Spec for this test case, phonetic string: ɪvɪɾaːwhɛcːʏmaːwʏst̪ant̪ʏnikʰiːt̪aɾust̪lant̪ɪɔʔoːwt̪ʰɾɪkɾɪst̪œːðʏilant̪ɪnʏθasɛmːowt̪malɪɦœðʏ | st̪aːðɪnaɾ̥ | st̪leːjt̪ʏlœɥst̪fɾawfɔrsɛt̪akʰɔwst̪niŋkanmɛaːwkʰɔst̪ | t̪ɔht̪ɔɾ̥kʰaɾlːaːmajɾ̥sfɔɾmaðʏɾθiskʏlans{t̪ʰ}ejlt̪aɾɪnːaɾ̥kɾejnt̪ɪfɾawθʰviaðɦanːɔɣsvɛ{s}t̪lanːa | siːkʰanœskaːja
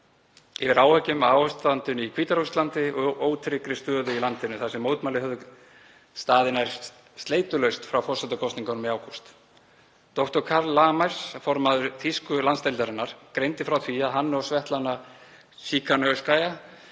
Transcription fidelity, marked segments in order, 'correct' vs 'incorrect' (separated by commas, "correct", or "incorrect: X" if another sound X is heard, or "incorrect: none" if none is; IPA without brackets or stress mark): incorrect: t̪, incorrect: h